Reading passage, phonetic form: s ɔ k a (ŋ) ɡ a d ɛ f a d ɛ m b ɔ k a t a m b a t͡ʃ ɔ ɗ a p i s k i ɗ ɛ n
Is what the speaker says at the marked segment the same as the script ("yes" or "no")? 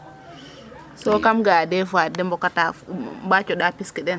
no